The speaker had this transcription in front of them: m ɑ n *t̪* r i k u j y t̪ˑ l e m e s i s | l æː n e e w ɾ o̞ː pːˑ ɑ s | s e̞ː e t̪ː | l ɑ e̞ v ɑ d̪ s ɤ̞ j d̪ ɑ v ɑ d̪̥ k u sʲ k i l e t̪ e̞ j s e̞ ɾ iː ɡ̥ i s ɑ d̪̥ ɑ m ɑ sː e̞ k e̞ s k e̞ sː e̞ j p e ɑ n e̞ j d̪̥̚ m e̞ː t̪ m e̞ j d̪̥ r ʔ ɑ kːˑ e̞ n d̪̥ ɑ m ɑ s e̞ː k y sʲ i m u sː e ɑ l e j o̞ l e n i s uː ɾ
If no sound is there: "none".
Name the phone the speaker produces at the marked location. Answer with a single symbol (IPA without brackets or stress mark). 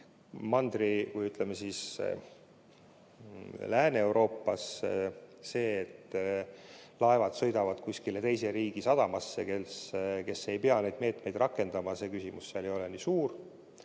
d̪